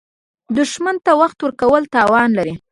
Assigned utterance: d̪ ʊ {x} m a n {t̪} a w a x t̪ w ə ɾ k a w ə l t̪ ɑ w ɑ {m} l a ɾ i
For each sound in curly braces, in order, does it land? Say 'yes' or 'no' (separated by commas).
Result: no, yes, no